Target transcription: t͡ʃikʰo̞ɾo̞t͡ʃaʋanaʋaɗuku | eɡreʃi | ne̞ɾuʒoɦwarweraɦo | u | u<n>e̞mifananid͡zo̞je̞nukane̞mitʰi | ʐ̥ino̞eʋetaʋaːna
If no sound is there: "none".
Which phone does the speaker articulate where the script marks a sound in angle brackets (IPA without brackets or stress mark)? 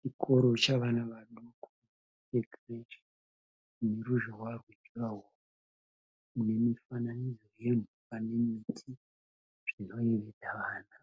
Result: n